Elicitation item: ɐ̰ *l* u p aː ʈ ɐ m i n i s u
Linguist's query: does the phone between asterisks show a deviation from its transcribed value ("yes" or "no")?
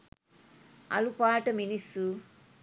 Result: no